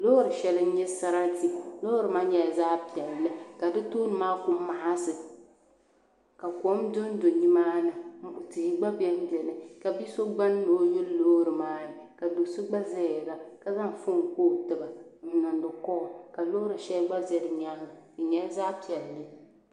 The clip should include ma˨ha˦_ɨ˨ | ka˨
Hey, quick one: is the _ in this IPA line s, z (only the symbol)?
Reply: s